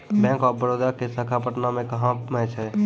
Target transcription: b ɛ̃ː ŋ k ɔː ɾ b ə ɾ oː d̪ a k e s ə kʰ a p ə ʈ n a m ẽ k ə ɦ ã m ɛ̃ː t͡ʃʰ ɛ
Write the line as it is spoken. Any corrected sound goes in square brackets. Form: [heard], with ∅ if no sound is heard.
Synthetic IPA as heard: b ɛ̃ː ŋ k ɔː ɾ b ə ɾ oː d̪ a k e s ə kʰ a p ə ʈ n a m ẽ k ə ɦ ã m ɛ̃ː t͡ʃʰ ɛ